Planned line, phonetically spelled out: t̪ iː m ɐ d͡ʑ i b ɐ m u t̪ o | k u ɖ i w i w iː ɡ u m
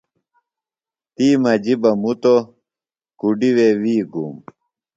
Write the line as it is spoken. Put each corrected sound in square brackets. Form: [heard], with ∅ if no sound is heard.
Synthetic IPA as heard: t̪ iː m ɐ d͡ʑ i b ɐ m u t̪ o | k u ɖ i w [e] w iː ɡ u m